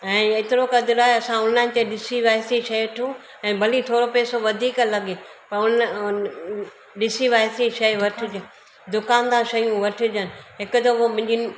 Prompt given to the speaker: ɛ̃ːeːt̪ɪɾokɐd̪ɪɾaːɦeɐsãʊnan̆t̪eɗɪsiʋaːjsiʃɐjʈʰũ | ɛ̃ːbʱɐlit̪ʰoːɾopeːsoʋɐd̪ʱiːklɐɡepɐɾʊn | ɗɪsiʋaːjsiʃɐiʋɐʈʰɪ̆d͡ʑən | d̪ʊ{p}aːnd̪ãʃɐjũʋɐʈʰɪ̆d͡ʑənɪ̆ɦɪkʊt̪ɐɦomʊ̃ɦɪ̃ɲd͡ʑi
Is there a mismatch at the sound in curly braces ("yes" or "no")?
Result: yes